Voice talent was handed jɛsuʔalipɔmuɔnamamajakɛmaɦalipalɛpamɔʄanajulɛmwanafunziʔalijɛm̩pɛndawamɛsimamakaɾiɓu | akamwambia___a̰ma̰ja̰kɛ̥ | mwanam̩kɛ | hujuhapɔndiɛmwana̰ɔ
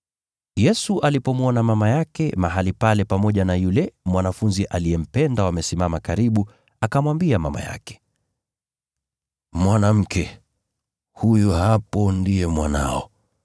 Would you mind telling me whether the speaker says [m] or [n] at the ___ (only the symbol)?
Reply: m